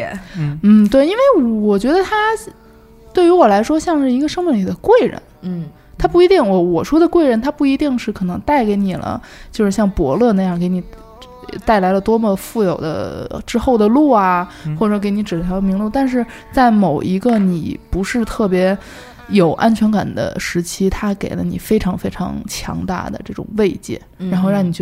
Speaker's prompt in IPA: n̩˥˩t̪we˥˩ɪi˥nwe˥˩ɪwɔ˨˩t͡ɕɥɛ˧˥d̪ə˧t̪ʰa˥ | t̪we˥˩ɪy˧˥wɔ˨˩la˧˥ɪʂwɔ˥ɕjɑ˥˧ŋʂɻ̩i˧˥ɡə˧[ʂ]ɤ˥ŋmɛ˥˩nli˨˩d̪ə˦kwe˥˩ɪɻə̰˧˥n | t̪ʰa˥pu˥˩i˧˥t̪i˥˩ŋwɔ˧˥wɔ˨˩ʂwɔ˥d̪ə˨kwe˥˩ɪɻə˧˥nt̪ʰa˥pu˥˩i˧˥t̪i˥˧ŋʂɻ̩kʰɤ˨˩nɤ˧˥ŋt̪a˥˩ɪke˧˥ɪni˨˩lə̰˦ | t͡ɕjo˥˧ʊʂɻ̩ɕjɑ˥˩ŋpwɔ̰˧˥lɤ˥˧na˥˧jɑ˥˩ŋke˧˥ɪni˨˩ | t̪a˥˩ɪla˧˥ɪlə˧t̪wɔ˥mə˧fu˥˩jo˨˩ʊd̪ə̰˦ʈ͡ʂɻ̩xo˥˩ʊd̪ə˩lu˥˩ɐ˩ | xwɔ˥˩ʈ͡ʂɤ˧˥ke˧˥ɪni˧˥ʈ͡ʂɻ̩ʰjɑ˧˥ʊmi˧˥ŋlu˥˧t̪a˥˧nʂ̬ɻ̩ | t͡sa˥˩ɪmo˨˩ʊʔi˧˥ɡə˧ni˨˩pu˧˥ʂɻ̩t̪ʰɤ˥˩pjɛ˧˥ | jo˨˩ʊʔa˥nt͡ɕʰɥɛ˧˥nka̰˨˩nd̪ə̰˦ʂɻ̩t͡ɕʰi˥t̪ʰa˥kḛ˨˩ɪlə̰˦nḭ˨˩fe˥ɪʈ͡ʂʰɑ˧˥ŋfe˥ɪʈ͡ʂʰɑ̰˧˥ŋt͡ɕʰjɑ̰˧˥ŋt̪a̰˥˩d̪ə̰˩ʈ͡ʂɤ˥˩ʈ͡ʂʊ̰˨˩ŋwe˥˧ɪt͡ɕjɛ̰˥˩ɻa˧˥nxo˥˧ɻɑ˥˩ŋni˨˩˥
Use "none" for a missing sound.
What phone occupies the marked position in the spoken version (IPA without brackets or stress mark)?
ʂ